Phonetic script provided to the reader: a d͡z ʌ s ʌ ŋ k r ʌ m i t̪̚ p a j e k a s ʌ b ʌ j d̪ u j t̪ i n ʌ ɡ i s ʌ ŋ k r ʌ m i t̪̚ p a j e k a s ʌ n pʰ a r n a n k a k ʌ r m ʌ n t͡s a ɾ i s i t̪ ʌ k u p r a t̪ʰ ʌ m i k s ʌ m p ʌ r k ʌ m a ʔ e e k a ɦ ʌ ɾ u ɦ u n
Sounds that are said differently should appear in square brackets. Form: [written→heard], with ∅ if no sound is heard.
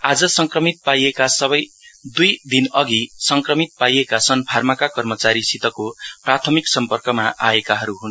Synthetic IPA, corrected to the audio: a d͡z ʌ s ʌ ŋ k r ʌ m i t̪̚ p a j e k a s ʌ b ʌ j d̪ u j [t̪→d̪] i n ʌ ɡ i s ʌ ŋ k r ʌ m i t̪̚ p a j e k a s ʌ n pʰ a r [n→m] a [n→∅] k a k ʌ r m ʌ [n→∅] t͡s a ɾ i s i t̪ ʌ k [u→o] p r a t̪ʰ ʌ m i k s ʌ m p ʌ r k ʌ m a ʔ [e→a] e k a ɦ ʌ ɾ u ɦ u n